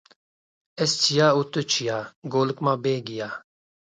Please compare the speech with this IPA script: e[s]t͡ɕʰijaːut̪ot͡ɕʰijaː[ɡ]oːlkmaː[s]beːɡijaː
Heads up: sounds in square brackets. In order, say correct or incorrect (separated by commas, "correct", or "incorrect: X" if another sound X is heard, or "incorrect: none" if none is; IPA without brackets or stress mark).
correct, correct, incorrect: none